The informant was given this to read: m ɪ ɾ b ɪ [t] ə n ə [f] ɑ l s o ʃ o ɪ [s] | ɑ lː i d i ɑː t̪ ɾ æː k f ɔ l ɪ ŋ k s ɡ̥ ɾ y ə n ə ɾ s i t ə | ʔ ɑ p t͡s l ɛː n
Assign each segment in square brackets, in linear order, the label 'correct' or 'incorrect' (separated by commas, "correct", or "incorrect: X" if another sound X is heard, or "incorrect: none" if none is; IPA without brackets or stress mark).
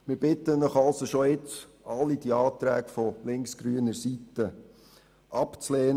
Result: correct, incorrect: χ, incorrect: t͡s